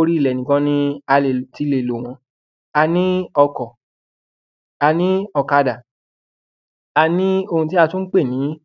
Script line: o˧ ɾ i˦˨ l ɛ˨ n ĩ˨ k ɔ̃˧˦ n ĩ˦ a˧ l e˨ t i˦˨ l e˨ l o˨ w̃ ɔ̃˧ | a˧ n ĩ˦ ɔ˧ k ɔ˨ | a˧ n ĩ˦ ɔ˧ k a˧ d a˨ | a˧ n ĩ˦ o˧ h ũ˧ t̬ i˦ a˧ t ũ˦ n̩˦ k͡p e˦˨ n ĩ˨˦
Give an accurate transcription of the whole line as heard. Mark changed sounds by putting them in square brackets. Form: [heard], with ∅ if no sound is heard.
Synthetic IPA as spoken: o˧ ɾ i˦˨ l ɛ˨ n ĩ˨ k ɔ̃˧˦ n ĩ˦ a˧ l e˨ t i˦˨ l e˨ l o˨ w̃ ɔ̃˧ | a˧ n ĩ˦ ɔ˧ k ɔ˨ | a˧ n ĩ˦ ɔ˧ k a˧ d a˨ | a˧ n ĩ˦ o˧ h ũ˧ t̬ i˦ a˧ t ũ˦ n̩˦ k͡p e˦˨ n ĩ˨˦